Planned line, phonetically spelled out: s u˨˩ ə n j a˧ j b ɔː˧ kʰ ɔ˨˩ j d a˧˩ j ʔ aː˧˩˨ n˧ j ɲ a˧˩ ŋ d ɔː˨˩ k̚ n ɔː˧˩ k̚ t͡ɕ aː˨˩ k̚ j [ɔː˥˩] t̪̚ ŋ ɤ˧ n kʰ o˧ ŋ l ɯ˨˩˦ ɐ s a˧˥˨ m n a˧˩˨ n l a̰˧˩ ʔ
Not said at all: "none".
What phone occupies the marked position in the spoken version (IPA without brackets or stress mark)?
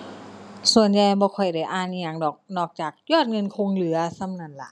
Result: ɔː˥˩